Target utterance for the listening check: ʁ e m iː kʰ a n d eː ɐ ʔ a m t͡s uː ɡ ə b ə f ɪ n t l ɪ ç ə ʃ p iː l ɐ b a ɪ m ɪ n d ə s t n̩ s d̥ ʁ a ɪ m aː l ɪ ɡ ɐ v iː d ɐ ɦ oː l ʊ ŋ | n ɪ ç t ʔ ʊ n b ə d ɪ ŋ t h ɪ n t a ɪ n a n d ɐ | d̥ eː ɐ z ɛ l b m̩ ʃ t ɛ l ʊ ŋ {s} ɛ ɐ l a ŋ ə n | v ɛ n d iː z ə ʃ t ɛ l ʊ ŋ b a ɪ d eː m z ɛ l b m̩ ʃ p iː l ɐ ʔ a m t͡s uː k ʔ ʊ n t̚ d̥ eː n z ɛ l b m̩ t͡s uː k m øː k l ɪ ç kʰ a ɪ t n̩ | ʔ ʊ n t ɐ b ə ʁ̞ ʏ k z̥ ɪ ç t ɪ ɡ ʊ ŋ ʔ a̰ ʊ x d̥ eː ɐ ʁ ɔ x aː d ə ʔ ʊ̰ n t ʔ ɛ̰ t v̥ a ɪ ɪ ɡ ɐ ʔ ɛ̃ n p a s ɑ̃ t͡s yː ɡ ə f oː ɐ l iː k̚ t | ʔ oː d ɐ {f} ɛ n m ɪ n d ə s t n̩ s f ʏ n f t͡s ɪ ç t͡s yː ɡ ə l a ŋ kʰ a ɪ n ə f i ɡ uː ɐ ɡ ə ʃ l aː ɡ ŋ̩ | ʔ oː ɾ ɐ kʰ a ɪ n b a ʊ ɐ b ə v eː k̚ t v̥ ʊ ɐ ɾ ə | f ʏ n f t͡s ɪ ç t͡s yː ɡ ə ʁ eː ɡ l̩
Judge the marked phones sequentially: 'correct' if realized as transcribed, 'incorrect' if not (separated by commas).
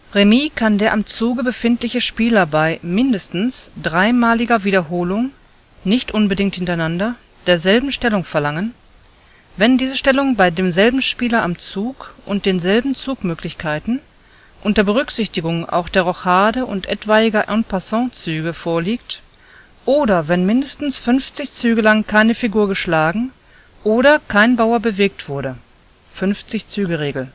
incorrect, incorrect